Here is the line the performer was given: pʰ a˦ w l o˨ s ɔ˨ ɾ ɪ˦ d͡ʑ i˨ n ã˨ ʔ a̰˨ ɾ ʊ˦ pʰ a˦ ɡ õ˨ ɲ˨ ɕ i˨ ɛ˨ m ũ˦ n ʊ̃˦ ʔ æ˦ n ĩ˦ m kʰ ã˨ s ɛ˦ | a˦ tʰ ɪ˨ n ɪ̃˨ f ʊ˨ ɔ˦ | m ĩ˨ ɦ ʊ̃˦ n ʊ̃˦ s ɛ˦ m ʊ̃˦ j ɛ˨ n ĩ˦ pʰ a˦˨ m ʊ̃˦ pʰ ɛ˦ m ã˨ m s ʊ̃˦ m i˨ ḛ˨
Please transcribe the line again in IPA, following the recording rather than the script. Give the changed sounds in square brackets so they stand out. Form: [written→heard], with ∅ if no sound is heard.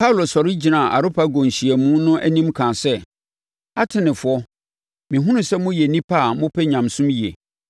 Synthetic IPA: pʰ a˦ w l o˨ s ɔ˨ ɾ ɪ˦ d͡ʑ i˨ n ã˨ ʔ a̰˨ ɾ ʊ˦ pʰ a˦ ɡ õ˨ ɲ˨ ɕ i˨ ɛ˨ m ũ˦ n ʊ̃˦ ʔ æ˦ n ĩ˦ m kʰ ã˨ s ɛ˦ | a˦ tʰ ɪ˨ n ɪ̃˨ f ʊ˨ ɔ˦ | m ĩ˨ ɦ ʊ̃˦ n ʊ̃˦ s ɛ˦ m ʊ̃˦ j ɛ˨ n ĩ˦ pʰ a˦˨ m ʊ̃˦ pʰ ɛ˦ [m→ɲ] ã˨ m s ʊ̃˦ m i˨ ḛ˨